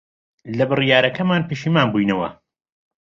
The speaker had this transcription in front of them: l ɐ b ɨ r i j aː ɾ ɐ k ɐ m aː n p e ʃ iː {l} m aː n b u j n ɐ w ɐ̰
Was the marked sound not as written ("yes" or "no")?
yes